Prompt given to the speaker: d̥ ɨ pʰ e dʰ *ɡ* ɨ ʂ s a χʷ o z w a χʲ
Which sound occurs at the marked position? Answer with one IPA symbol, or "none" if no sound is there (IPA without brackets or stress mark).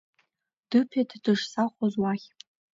d